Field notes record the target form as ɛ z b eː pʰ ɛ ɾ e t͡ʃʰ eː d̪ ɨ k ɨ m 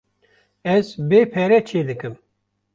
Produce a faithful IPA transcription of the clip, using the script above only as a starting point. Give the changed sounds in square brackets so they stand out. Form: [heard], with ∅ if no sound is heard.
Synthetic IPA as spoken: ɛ z b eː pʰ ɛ ɾ [ɛ] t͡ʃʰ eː d̪ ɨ k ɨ m